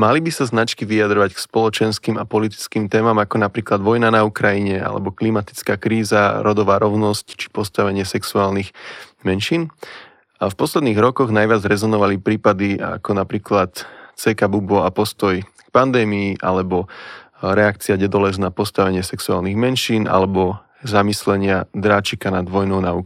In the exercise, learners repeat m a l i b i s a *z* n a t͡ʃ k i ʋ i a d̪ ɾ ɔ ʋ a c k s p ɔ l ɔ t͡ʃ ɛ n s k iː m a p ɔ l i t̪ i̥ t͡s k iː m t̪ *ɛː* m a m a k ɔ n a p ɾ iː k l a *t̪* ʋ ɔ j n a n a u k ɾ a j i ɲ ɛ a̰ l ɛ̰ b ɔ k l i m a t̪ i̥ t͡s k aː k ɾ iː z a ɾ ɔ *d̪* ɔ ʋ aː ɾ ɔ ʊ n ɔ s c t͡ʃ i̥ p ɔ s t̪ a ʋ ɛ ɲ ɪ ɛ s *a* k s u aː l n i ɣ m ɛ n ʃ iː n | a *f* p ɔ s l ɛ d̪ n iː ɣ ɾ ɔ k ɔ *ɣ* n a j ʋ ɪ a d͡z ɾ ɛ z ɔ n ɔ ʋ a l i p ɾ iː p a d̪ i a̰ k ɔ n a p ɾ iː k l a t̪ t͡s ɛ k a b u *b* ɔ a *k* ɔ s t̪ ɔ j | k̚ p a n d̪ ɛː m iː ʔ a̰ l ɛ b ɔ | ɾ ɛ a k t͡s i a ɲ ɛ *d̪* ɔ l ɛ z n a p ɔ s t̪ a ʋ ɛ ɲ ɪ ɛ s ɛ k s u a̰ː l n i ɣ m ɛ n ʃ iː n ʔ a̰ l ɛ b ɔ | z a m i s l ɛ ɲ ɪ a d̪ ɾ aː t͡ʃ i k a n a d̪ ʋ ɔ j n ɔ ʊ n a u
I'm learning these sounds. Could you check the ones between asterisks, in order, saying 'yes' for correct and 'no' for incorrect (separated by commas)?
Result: yes, yes, no, yes, no, yes, yes, yes, no, yes